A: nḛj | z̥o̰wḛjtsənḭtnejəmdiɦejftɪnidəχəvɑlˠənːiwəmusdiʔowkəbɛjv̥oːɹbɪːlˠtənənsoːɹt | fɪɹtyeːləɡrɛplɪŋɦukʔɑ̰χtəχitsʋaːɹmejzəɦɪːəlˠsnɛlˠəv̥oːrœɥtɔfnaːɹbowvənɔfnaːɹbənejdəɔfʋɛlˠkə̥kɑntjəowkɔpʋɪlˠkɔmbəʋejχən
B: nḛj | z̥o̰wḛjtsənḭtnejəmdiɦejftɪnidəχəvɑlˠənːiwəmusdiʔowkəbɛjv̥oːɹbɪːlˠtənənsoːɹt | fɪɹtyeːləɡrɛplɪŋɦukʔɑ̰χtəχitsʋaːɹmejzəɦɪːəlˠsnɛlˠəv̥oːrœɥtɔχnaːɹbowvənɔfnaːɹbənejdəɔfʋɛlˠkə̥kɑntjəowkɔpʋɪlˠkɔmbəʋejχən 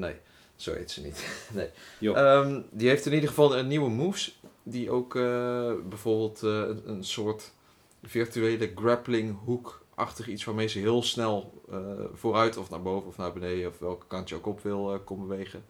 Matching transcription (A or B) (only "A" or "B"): A